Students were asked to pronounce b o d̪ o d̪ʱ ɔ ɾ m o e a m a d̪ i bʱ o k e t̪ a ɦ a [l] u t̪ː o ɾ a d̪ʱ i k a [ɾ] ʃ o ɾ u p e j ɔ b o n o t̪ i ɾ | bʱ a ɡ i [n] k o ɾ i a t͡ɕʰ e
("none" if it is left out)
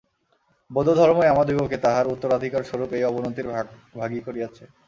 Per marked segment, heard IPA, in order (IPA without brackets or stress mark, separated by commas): ɾ, ɾ, none